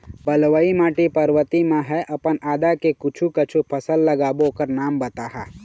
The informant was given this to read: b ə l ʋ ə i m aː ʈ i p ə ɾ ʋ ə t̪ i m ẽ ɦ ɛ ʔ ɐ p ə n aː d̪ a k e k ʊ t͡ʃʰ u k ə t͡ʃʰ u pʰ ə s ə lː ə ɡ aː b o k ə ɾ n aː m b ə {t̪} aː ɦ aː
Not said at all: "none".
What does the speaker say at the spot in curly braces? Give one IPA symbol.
t̪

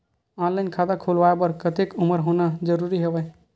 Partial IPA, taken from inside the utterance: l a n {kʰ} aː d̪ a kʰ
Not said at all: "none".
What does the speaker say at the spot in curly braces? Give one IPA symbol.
kʰ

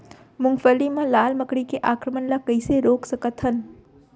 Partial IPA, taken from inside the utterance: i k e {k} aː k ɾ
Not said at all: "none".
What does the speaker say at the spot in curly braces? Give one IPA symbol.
ʔ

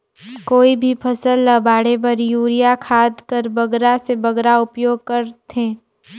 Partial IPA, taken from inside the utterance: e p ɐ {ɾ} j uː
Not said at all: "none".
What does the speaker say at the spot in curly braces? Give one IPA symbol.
ɾ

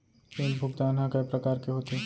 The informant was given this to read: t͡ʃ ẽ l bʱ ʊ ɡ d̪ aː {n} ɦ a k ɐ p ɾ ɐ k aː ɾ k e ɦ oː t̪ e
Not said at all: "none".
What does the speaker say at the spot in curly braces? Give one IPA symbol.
n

